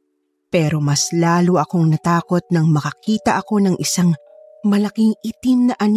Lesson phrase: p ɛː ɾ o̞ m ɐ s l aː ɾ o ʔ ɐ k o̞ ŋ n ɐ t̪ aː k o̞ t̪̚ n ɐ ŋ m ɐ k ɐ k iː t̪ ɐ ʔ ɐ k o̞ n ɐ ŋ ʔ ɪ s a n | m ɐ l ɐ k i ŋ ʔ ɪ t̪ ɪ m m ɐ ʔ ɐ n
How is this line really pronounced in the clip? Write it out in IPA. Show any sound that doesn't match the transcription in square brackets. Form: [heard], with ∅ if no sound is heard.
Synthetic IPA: p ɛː ɾ o̞ m ɐ s l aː [l] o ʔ ɐ k o̞ ŋ n ɐ t̪ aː k o̞ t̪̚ n ɐ ŋ m ɐ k ɐ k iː t̪ ɐ ʔ ɐ k o̞ n ɐ ŋ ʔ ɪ s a [ŋ] | m ɐ l ɐ k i ŋ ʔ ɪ t̪ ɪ m [n] ɐ ʔ ɐ n